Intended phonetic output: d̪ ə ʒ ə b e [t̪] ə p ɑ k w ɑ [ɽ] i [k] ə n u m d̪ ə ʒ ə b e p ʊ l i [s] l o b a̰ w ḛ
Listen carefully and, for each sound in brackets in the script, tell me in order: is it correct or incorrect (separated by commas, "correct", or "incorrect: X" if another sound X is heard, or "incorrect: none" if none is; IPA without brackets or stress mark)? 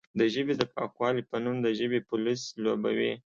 incorrect: d̪, incorrect: l, incorrect: p, correct